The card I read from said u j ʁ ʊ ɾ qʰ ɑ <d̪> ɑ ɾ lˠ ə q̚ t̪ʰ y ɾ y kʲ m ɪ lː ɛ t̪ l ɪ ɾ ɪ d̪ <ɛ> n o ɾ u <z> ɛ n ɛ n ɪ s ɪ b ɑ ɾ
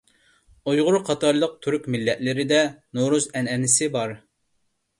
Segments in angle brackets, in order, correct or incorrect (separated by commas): incorrect, correct, correct